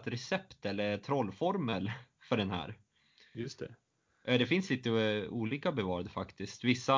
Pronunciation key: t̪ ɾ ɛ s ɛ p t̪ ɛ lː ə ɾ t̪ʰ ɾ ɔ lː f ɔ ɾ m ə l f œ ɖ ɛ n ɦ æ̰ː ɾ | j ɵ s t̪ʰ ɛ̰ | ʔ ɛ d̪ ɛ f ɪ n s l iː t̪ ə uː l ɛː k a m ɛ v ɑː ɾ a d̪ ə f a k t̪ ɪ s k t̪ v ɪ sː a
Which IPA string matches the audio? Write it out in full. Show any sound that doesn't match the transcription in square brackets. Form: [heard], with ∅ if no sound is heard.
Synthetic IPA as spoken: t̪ ɾ ɛ s ɛ p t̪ ɛ lː ə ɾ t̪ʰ ɾ ɔ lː f ɔ ɾ m ə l f œ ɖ ɛ n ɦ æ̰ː ɾ | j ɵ s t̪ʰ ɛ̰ | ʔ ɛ d̪ ɛ f ɪ n s l iː t̪ ə uː l [iː] k a [b] ɛ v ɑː ɾ a d̪ ə f a k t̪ ɪ s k t̪ v ɪ sː a